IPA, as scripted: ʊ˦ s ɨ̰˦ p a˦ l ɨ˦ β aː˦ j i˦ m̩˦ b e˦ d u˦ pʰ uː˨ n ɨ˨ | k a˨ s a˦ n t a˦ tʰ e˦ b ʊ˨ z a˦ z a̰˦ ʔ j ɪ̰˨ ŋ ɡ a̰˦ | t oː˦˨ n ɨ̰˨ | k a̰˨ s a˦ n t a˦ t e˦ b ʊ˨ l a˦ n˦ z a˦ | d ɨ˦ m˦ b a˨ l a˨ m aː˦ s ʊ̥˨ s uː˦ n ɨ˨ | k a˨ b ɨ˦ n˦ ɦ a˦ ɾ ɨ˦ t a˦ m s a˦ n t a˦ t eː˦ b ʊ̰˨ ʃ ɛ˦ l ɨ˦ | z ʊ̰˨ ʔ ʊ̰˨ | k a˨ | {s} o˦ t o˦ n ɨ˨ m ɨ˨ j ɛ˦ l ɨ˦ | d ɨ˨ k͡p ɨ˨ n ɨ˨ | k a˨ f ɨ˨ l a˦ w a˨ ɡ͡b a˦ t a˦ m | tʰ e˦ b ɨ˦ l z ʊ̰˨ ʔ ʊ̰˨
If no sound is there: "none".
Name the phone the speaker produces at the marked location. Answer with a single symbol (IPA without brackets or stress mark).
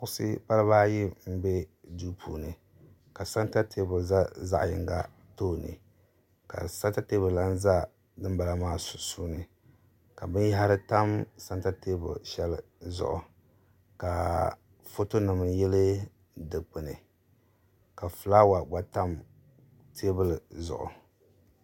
f